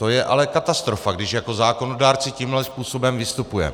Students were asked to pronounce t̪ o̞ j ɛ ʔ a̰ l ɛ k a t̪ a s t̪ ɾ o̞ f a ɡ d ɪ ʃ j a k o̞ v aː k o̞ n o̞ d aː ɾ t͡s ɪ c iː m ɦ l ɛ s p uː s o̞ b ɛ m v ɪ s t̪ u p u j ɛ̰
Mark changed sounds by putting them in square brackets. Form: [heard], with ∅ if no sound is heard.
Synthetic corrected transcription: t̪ o̞ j ɛ ʔ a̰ l ɛ k a t̪ a s t̪ ɾ o̞ f a ɡ d ɪ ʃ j a k o̞ [z] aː k o̞ n o̞ d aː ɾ t͡s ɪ c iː m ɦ l ɛ s p uː s o̞ b ɛ m v ɪ s t̪ u p u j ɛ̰